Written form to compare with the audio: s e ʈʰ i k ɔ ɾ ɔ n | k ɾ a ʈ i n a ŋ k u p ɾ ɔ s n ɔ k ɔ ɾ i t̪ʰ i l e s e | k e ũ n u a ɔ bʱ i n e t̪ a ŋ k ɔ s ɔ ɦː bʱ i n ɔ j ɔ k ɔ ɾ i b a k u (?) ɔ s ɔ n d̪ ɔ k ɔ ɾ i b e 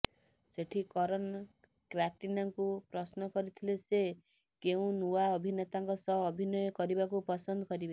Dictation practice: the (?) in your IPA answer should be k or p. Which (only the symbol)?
p